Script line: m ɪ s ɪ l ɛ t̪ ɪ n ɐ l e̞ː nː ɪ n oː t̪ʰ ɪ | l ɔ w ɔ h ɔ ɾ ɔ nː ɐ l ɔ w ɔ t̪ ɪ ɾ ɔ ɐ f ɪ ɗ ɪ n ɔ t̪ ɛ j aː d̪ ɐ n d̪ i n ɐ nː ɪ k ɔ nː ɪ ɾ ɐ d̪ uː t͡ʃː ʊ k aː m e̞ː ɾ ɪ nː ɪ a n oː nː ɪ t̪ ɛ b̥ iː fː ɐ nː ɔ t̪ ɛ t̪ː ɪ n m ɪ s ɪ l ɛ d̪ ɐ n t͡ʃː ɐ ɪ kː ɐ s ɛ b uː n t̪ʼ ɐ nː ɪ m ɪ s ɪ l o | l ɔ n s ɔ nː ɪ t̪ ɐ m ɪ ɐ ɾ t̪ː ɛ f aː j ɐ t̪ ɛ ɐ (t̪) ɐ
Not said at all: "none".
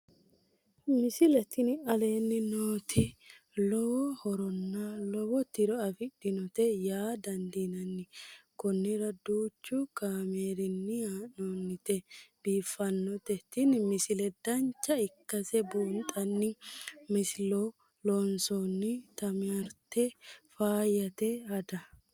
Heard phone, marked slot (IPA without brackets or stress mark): d̪